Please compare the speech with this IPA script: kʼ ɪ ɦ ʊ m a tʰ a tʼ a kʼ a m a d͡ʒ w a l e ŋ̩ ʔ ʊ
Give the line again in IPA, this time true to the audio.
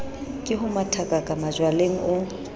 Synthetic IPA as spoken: kʼ ɪ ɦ ʊ m a tʰ a kʼ a kʼ a m a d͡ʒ w a l e ŋ̩ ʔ ʊ

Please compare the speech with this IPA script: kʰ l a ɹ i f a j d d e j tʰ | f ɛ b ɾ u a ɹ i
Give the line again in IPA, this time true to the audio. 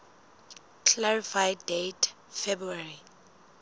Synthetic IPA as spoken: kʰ l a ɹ i f a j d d e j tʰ | f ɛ b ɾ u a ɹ i

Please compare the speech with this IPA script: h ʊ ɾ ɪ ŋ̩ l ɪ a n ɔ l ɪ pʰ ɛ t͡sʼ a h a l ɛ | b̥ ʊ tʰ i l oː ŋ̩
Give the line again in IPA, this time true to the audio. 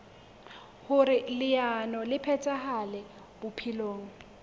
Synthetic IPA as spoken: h ʊ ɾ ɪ l ɪ a n ɔ l ɪ pʰ ɛ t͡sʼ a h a l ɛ | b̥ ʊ pʰ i l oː ŋ̩

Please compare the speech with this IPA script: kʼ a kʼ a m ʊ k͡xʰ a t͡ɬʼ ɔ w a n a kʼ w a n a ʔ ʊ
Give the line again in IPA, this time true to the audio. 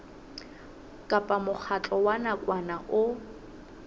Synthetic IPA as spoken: kʼ a pʼ a m ʊ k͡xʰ a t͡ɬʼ ɔ w a n a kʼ w a n a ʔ ʊ

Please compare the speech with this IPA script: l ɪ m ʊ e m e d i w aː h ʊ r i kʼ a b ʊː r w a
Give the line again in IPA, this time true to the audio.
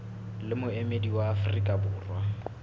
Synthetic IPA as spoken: l ɪ m ʊ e m e d i w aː f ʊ r i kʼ a b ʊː r w a

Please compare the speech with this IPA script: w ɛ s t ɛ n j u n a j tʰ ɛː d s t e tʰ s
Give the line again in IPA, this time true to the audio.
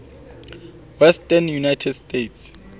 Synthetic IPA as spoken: w ɛ s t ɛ n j u n a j tʰ ɛ d s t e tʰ s

